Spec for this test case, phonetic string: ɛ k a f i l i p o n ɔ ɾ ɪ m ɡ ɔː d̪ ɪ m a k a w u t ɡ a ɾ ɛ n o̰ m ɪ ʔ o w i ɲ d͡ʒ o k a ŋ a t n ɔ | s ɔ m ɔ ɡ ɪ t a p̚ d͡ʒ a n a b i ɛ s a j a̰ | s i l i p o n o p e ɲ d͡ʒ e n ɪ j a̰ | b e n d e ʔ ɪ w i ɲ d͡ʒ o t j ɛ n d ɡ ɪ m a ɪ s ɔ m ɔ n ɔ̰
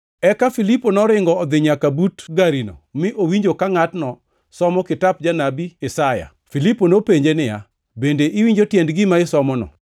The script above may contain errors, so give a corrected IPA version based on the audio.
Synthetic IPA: ɛ k a f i l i p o n ɔ ɾ ɪ ŋ ɡ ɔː d̪ ɪ ɲ a k a b u t ɡ a ɾ i n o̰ m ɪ ʔ o w i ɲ d͡ʒ o k a ŋ a t n ɔ | s ɔ m ɔ k ɪ t a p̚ d͡ʒ a n a b i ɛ s a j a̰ | f i l i p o n o p e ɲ d͡ʒ e n ɪ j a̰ | b e n d e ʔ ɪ w i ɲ d͡ʒ o t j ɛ n d ɡ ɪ m a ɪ s ɔ m ɔ n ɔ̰

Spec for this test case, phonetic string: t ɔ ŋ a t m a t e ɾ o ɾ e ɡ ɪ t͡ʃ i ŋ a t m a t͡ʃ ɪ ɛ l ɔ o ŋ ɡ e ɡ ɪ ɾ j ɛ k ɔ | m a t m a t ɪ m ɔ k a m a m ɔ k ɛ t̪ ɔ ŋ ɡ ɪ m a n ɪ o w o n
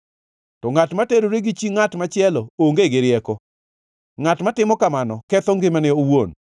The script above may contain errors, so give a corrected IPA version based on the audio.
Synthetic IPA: t ɔ ŋ a t m a t e ɾ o ɾ e ɡ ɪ t͡ʃ i ŋ a t m a t͡ʃ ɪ ɛ l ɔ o ŋ ɡ e ɡ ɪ ɾ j ɛ k ɔ | ŋ a t m a t ɪ m ɔ k a m a n ɔ k ɛ t̪ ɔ ŋ ɡ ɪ m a n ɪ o w o n

